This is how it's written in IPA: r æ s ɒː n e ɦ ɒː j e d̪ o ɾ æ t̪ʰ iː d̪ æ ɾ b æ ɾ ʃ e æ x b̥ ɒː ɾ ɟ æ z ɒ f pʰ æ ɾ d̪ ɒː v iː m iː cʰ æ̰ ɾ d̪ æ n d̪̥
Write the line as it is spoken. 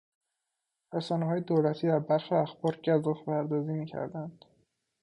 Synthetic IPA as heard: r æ s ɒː n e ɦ ɒː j e d̪ o l æ t̪ʰ iː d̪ æ ɾ b æ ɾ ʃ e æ x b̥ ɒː ɾ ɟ æ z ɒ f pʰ æ ɾ d̪ ɒː z iː m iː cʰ æ̰ ɾ d̪ æ n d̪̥